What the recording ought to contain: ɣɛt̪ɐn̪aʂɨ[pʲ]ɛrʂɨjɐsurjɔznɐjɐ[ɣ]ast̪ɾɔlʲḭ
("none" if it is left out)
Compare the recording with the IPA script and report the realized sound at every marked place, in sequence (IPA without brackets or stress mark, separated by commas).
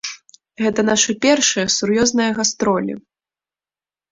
pʲ, ɣ